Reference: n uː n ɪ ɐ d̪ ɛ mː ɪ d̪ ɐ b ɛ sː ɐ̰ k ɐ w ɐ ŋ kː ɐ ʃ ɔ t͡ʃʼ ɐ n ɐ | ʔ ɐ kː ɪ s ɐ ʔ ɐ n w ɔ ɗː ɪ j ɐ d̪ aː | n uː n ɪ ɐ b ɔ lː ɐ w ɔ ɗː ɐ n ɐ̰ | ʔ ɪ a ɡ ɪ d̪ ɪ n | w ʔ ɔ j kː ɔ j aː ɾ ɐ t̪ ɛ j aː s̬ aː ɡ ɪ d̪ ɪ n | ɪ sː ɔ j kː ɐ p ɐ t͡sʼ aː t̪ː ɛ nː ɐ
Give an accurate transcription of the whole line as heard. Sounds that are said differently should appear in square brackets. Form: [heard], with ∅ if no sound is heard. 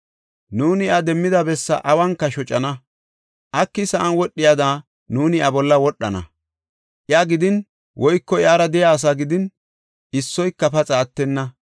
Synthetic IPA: n uː n ɪ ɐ d̪ ɛ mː ɪ d̪ ɐ b ɛ sː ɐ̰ [ʔ] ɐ w ɐ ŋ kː ɐ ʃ ɔ t͡ʃʼ ɐ n ɐ | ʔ ɐ kː ɪ s ɐ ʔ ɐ n w ɔ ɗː ɪ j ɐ d̪ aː | n uː n ɪ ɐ b ɔ lː ɐ w ɔ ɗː ɐ n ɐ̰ | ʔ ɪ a ɡ ɪ d̪ ɪ n | w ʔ ɔ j kː ɔ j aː ɾ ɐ [d̪] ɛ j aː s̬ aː ɡ ɪ d̪ ɪ n | ɪ sː ɔ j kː ɐ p ɐ t͡sʼ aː t̪ː ɛ nː ɐ